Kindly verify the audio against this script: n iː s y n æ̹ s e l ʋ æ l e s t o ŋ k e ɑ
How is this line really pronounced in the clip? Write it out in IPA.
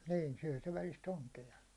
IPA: n iː s y æ̹ s e ʋ æ l i s t o ŋ k e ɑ